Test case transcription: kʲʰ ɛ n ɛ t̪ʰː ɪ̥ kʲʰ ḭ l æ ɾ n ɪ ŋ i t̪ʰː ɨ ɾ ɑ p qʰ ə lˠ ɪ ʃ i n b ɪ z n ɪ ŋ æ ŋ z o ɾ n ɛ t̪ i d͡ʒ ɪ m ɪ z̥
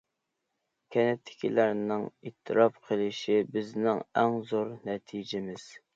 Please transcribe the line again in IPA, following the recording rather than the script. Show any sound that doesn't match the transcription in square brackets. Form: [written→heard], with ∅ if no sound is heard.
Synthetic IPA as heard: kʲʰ ɛ n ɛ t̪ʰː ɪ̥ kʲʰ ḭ l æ ɾ n ɪ ŋ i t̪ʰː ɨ ɾ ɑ p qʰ ə lˠ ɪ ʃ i [n→∅] b ɪ z n ɪ ŋ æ ŋ z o ɾ n ɛ [t̪→t̪ʰ] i d͡ʒ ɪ m ɪ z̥